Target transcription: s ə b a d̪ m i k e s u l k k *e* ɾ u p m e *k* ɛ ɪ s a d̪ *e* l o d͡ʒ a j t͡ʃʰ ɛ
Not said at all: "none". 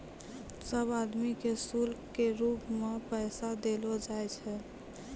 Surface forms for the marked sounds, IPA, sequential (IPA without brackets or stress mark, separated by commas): e, p, e